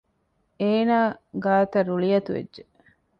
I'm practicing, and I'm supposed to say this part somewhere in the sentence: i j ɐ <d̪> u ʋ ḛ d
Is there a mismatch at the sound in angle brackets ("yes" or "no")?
yes